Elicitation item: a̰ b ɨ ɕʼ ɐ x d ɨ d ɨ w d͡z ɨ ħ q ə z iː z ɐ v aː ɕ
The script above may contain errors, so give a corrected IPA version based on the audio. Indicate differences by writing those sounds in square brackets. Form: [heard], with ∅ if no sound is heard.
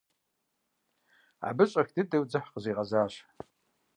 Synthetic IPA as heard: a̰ b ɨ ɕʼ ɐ x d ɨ d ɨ w d͡z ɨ ħ q ə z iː [ʁ] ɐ [z] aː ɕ